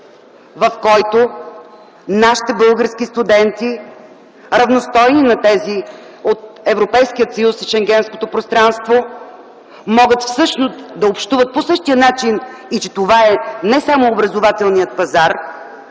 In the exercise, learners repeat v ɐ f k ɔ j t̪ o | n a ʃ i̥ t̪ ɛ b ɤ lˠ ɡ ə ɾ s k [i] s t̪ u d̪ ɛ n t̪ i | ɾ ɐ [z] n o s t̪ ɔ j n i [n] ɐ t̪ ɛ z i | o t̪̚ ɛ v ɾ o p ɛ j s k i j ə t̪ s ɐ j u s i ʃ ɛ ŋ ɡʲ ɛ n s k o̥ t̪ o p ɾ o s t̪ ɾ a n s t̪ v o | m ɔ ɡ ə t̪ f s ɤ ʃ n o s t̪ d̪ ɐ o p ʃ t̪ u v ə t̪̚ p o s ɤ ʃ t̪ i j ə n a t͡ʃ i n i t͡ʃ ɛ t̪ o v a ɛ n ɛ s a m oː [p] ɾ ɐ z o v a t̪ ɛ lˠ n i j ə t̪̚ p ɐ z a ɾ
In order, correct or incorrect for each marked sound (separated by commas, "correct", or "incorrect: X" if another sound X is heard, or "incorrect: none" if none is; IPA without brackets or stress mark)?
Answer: correct, incorrect: v, correct, incorrect: b